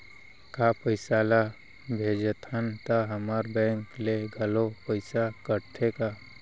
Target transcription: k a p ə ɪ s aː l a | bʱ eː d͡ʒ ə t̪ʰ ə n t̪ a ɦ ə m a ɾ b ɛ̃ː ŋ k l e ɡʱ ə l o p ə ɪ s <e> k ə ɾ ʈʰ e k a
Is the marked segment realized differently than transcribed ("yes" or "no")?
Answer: yes